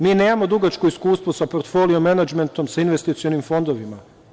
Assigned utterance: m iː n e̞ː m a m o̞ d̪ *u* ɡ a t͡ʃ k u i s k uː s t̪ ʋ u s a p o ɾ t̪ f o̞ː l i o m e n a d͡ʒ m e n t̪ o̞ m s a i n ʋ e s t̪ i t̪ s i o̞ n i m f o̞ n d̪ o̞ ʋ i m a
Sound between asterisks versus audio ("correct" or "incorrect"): correct